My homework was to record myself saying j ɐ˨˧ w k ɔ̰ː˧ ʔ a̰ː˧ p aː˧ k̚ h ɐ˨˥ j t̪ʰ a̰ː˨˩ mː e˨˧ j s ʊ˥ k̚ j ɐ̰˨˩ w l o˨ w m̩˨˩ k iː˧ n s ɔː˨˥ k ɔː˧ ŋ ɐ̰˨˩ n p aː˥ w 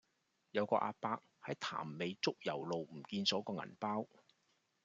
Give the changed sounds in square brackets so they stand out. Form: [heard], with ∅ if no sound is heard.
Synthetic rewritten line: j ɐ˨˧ w k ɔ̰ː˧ ʔ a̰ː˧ p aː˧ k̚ h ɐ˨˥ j t̪ʰ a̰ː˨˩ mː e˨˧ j [t͡s] ʊ˥ k̚ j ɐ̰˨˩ w l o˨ w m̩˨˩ k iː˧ n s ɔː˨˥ k ɔː˧ ŋ ɐ̰˨˩ n p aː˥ w